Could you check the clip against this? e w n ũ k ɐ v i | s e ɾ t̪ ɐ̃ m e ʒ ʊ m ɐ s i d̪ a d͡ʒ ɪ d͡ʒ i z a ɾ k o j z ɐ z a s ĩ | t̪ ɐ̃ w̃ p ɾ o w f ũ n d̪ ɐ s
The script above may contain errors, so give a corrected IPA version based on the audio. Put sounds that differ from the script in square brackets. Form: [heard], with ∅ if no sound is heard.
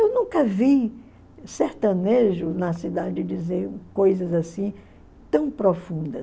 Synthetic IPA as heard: e w n ũ k ɐ v i | s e ɾ t̪ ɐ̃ [n] e ʒ ʊ [n] ɐ s i d̪ a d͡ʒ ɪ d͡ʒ i z [e] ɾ k o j z ɐ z a s ĩ | t̪ ɐ̃ w̃ p ɾ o [∅] f ũ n d̪ ɐ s